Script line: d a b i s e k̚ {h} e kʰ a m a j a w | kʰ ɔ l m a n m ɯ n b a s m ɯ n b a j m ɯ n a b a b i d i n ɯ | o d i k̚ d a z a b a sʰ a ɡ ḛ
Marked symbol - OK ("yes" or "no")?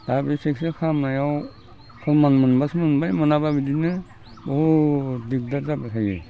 no